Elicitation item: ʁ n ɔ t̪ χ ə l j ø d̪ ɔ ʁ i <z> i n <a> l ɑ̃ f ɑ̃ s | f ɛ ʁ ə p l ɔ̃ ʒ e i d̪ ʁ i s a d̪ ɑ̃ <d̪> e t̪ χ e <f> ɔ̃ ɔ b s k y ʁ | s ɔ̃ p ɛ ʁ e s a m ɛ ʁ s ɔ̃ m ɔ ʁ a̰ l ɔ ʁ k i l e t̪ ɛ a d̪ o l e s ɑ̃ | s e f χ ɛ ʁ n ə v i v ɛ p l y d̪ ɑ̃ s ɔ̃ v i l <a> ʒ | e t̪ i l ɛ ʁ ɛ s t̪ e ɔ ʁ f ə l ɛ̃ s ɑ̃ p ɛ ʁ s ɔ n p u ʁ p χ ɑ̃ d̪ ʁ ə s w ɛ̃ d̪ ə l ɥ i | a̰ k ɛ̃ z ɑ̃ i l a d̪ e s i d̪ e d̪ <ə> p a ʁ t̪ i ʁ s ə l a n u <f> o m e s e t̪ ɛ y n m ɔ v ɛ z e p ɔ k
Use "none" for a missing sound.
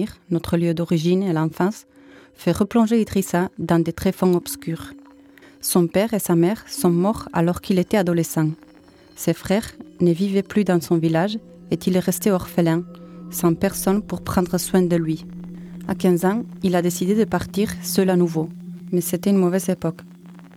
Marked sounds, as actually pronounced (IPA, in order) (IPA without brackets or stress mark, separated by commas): ʒ, e, d̪, f, a, ə, v